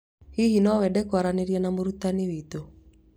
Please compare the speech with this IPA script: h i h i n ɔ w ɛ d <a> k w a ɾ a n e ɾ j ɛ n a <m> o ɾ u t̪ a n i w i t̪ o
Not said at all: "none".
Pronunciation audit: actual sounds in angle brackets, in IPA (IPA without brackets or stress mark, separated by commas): ɛ, m